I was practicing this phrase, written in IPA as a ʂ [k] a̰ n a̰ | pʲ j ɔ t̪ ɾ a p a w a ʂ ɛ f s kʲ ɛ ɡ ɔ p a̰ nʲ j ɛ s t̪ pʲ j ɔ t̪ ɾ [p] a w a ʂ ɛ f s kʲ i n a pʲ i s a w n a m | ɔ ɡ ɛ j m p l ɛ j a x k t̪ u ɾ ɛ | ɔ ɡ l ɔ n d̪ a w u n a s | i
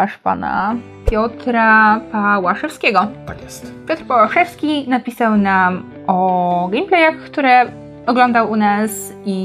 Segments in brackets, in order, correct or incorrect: incorrect: p, correct

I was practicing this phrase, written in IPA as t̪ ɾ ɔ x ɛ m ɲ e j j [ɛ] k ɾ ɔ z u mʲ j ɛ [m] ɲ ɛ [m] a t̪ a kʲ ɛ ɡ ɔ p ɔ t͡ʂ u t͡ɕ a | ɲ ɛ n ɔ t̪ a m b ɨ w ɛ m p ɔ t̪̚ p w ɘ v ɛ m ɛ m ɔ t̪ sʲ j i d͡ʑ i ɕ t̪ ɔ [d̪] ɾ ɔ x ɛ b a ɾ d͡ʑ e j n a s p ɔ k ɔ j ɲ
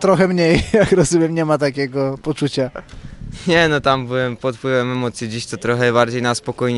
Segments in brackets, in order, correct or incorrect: incorrect: a, correct, correct, incorrect: t̪

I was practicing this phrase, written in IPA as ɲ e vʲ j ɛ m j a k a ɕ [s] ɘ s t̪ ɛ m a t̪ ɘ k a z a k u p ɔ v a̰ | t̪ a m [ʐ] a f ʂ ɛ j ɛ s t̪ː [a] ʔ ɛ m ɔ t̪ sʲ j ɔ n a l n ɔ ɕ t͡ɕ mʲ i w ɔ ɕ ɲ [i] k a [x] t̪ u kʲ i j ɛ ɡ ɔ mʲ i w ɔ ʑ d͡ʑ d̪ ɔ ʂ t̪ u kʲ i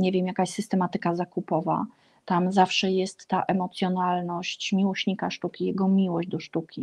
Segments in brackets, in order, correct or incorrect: correct, incorrect: z, correct, correct, incorrect: ʂ

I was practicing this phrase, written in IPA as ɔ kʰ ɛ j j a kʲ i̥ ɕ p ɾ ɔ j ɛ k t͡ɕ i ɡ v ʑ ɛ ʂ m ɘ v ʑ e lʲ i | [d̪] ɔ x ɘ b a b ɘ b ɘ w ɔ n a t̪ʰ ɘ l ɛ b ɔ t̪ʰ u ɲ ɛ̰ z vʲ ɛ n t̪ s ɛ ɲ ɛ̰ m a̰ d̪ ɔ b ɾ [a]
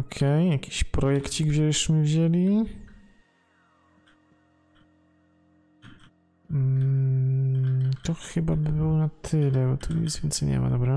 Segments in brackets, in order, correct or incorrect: incorrect: t̪, correct

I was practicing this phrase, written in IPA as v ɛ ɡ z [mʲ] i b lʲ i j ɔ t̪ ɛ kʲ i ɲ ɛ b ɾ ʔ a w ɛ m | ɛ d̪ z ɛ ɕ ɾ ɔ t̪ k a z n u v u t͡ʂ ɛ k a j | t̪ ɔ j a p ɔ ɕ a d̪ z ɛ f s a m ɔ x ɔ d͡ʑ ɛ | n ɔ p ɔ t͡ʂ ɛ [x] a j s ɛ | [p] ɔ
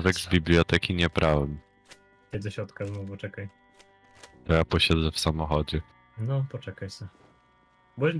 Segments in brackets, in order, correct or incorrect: incorrect: bʲ, incorrect: k, incorrect: b

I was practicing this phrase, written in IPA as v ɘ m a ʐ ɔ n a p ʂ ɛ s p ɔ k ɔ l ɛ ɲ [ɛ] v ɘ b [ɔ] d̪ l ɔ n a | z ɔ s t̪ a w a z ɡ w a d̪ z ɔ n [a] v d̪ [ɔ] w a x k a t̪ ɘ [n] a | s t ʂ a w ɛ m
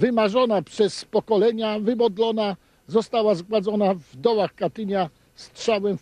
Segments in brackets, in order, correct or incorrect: incorrect: a, correct, correct, correct, incorrect: ɲ

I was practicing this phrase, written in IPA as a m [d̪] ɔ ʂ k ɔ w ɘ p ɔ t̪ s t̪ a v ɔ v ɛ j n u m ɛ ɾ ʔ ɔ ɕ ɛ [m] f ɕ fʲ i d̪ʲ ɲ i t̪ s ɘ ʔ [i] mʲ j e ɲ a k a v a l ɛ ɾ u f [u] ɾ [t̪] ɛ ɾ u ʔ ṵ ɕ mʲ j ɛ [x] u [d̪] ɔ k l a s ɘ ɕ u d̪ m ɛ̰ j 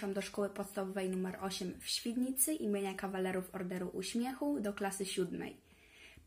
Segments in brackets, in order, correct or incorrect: correct, correct, correct, incorrect: ɔ, incorrect: d̪, correct, correct

